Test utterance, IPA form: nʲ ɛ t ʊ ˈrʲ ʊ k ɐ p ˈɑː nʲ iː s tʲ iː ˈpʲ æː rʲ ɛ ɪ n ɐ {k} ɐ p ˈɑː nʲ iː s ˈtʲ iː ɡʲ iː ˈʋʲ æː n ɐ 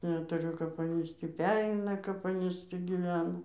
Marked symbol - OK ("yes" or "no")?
yes